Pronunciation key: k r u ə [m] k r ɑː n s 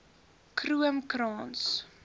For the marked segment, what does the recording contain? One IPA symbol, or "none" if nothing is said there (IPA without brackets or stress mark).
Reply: m